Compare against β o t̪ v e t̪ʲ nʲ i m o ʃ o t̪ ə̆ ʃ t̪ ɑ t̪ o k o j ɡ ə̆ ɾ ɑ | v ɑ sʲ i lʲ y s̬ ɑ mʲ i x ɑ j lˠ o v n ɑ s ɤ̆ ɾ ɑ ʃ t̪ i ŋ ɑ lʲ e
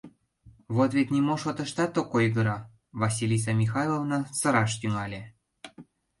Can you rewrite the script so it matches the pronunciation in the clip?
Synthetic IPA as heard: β o t̪ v e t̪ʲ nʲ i m o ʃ o t̪ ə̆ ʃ t̪ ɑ t̪ o k o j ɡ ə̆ ɾ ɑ | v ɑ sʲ i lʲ i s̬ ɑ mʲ i x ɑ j lˠ o v n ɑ s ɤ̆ ɾ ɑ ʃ t̪ y ŋ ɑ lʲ e